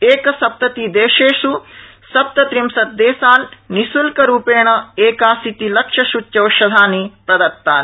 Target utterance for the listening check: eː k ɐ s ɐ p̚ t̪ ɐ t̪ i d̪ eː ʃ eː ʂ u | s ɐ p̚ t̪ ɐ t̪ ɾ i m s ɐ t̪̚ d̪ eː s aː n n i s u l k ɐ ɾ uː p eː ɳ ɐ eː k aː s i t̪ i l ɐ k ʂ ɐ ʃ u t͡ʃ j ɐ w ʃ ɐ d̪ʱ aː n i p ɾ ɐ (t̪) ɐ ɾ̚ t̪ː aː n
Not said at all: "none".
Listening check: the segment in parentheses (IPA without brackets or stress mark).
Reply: d̪